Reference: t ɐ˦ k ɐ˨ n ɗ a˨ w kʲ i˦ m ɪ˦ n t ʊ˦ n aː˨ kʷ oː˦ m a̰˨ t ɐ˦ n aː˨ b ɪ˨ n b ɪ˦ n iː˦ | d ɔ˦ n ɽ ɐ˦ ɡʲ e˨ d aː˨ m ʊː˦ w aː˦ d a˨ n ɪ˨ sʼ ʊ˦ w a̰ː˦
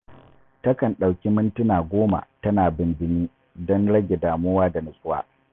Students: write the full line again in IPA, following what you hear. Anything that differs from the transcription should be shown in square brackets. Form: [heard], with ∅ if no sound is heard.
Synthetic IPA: t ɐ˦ k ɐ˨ n ɗ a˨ w kʲ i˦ m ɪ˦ n t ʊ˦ n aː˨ [ɡʷ] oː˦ m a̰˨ t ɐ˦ n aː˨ b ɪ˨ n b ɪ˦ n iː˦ | d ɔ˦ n ɽ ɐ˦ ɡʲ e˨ d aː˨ m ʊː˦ w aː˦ d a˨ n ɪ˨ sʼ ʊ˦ w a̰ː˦